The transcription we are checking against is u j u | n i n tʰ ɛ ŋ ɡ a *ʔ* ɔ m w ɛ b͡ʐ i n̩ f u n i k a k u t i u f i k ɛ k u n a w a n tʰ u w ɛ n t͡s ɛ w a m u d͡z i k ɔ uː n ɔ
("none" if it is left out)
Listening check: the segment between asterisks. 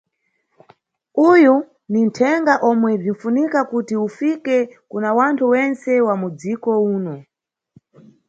ʔ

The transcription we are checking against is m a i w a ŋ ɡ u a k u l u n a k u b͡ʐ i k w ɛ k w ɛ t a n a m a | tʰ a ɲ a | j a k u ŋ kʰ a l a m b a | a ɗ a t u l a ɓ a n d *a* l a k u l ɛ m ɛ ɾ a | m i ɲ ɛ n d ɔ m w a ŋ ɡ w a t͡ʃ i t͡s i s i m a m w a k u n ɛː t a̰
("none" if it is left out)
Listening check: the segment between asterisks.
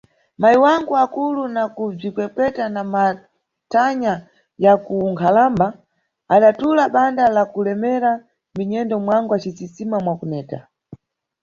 a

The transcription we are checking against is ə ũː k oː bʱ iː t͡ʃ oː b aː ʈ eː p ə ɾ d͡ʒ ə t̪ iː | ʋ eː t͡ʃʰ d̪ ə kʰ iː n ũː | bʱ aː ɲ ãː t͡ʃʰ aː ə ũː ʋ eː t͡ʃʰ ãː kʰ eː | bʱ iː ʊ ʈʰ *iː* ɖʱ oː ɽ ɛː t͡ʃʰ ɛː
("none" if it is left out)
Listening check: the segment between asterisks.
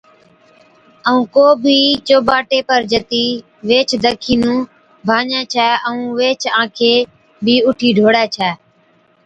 iː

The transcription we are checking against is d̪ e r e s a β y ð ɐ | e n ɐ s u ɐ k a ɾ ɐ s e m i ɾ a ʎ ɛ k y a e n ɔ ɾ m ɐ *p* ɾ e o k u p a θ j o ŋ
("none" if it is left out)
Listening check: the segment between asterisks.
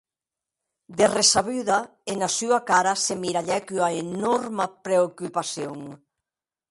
p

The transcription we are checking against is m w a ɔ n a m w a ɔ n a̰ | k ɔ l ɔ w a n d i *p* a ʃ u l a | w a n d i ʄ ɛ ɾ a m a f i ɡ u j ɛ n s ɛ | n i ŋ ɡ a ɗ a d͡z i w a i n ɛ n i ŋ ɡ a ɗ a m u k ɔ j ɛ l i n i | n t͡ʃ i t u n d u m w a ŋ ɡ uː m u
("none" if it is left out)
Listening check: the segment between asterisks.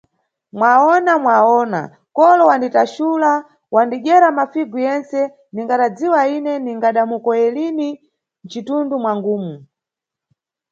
t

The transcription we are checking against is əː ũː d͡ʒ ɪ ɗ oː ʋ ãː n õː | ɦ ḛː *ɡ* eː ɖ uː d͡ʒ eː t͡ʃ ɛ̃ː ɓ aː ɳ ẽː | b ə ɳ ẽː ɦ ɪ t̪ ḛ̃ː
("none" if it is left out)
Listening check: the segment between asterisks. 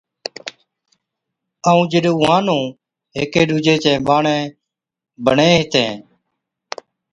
k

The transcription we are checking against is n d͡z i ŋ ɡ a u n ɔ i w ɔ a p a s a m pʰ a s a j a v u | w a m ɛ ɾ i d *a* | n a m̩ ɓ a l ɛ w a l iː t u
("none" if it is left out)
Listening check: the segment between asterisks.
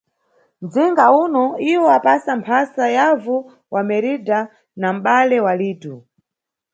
a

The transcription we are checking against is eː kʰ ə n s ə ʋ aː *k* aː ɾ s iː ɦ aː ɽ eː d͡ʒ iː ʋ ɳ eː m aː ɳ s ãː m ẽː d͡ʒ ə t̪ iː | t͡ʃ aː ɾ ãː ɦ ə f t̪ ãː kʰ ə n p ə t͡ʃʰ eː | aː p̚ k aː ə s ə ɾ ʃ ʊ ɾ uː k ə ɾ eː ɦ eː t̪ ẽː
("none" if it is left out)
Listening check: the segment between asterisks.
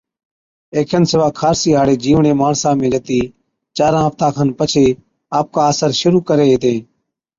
kʰ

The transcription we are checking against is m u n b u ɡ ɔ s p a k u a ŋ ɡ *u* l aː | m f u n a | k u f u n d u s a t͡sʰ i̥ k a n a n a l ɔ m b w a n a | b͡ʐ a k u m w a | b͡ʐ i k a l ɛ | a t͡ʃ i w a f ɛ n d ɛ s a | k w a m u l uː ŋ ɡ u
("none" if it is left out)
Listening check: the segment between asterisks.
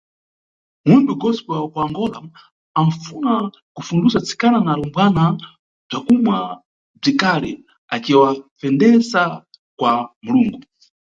ɔ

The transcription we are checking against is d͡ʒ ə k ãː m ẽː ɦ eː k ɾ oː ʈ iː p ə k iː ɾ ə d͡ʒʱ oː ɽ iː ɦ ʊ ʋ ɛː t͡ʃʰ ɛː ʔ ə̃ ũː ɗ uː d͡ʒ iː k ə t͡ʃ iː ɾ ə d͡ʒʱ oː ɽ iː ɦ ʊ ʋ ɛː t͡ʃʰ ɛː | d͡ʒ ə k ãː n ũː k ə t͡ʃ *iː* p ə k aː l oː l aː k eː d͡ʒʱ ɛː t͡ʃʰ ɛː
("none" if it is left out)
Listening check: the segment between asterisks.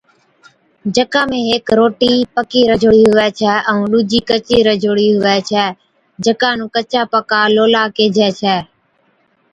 aː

